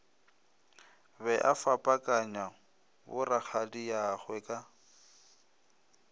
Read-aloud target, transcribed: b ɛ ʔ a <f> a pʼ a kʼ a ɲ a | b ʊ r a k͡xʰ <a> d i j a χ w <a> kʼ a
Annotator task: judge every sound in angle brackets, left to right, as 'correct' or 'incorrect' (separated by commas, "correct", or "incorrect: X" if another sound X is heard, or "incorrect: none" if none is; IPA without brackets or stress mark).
correct, correct, incorrect: ɛ